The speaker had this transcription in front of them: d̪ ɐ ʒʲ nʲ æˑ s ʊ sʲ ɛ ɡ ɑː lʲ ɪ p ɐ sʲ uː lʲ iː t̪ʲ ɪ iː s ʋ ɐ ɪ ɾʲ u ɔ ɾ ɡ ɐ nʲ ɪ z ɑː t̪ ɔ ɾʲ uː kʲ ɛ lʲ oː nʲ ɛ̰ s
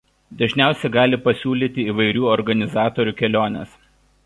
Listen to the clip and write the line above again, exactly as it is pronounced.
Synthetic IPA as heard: d̪ ɐ ʒʲ nʲ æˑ ʊ sʲ ɛ ɡ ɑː lʲ ɪ p ɐ sʲ uː lʲ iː t̪ʲ ɪ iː ʋ ɐ ɪ ɾʲ uː ɔ ɾ ɡ ɐ nʲ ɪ z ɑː t̪ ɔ ɾʲ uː kʲ ɛ lʲ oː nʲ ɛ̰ s